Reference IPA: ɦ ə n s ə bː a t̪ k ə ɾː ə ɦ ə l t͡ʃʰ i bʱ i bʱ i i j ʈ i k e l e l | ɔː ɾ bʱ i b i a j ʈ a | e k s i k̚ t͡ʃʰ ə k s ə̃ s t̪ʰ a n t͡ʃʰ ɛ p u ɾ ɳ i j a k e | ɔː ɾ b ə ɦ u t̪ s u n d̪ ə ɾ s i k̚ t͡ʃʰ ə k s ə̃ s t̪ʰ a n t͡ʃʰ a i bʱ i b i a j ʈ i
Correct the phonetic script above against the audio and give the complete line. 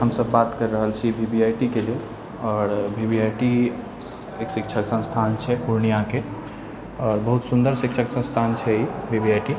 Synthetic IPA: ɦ ə m s ə bː a t̪ k ə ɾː ə ɦ ə l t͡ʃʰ i bʱ i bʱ i a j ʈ i k e l e l | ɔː ɾ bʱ i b i a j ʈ i | e k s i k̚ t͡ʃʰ ə k s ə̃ s t̪ʰ a n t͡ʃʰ ɛ p u ɾ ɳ i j a k e | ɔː ɾ b ə ɦ u t̪ s u n d̪ ə ɾ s i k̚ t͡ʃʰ ə k s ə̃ s t̪ʰ a n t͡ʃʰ ɛ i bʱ i b i a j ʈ i